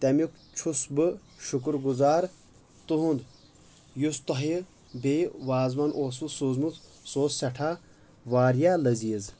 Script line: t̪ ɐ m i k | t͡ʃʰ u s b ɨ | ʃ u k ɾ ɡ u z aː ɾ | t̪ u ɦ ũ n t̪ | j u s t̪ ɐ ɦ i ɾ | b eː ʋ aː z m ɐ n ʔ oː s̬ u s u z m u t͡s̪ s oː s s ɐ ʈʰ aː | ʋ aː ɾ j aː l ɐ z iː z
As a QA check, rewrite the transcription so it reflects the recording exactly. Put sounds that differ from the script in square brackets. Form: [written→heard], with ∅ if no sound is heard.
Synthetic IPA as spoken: t̪ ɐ m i k | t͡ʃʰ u s b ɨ | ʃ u k ɾ ɡ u z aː ɾ | t̪ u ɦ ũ n [t̪→d̪] | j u s t̪ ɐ ɦ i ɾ | b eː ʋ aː z m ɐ n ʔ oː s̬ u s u z m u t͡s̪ s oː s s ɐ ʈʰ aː | ʋ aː ɾ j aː l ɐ z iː z